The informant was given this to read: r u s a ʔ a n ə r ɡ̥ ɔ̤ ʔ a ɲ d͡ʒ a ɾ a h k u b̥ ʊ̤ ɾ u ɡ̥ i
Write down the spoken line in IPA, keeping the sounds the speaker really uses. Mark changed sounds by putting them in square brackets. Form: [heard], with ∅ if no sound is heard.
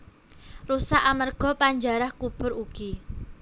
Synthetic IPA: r u s a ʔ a [m] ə r ɡ̥ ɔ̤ [p] a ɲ d͡ʒ a ɾ a h k u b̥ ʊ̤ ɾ u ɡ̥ i